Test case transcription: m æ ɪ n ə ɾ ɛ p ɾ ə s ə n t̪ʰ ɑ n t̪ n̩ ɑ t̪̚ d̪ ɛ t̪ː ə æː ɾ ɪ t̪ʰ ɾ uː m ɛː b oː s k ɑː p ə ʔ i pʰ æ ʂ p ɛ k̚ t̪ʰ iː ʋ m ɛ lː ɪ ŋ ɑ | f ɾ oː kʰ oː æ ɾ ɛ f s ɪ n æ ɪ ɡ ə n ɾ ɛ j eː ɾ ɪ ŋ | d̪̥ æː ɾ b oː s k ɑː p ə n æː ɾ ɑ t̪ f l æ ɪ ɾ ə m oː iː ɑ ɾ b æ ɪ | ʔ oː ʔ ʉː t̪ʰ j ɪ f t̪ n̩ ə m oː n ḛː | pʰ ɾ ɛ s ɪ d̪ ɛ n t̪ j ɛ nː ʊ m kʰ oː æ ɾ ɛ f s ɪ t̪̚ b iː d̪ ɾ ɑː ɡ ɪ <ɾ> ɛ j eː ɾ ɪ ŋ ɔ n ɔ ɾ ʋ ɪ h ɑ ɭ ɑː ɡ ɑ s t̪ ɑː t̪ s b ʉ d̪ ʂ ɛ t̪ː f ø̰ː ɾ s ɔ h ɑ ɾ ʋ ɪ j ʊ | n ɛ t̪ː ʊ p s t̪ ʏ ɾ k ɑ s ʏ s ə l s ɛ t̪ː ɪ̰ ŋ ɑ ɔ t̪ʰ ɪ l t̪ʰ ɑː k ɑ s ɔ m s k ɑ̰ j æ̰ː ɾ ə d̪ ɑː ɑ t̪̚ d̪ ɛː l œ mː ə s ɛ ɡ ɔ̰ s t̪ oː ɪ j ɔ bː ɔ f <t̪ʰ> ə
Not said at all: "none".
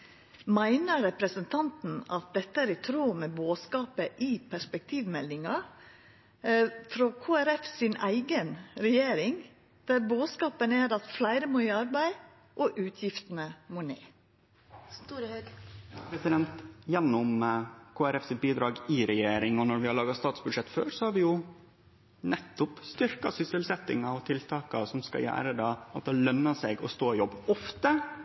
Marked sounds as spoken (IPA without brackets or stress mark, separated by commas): ɾ, t̪